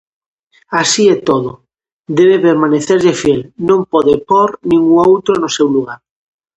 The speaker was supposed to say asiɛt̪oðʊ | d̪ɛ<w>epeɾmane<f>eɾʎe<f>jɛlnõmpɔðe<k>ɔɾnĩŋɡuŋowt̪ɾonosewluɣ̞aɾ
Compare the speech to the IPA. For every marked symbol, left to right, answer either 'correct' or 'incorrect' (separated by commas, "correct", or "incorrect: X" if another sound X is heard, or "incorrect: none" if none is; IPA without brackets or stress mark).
incorrect: β, incorrect: θ, correct, incorrect: p